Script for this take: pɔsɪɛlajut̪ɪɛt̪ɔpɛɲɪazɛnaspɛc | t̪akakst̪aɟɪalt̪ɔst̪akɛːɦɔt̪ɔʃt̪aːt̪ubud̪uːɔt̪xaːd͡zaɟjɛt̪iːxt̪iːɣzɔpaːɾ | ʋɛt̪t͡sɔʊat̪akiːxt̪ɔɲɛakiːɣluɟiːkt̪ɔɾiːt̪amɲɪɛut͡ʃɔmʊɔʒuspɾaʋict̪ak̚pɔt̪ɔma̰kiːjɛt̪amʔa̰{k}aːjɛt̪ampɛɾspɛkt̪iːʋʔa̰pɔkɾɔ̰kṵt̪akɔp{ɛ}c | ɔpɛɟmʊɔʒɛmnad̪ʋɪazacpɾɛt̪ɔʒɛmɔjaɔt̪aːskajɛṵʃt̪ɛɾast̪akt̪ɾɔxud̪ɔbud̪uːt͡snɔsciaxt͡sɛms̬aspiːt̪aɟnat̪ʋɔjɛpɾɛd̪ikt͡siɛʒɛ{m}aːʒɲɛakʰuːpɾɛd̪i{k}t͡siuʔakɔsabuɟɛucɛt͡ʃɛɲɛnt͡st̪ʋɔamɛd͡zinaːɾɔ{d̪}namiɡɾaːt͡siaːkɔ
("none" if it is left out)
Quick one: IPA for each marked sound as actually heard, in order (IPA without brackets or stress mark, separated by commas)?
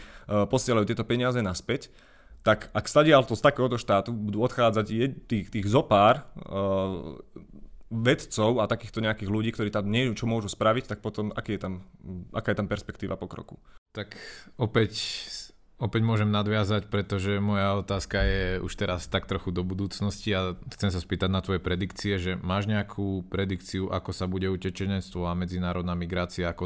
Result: k, ɛ, m, k, d̪